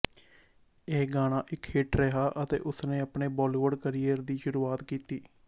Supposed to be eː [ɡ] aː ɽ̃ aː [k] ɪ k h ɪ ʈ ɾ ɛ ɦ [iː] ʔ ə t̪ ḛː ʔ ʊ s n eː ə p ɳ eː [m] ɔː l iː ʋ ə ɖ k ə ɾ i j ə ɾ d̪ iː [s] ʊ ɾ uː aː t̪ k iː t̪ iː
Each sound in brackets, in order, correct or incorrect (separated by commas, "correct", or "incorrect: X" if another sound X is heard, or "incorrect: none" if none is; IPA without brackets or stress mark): correct, incorrect: ʔ, incorrect: aː, incorrect: b, incorrect: ʃ